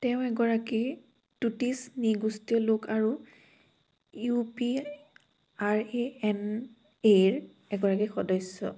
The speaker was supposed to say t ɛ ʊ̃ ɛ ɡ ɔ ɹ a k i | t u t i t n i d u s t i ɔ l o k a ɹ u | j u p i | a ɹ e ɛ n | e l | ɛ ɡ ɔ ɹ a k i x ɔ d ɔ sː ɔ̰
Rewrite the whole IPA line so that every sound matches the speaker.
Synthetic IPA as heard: t ɛ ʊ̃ ɛ ɡ ɔ ɹ a k i | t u t i s n i ɡ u s t i ɔ l o k a ɹ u | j u p i | a ɹ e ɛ n | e ɹ | ɛ ɡ ɔ ɹ a k i x ɔ d ɔ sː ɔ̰